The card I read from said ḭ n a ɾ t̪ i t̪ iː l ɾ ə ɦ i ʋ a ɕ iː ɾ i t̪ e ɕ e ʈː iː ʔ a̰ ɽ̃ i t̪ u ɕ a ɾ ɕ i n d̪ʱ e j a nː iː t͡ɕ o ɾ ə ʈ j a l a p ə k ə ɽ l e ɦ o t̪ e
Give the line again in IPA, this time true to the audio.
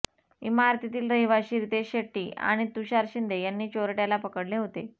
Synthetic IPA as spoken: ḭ m a ɾ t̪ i t̪ iː l ɾ ə ɦ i ʋ a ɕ iː ɾ i t̪ e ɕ e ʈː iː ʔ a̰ ɽ̃ i t̪ u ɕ a ɾ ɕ i n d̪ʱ e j a nː iː t͡ɕ o ɾ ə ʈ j a l a p ə k ə ɽ l e ɦ o t̪ e